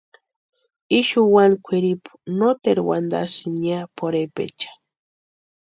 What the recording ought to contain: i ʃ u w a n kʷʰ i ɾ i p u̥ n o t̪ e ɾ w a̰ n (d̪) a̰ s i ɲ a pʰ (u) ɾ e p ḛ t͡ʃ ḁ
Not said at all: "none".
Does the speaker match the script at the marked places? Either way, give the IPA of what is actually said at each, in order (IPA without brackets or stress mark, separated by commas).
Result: d̪, o